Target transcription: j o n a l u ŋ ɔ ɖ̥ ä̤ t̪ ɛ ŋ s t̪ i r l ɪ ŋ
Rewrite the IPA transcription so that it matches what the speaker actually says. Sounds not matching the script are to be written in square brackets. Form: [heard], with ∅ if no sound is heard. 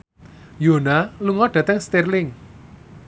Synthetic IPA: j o n a l u ŋ ɔ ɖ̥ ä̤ t̪ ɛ ŋ s t̪ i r l ɪ ŋ